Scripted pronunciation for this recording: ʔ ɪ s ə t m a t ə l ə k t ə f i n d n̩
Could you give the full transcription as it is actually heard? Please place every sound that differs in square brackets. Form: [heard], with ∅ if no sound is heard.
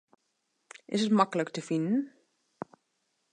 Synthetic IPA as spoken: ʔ ɪ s ə t m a [k] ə l ə k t ə f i n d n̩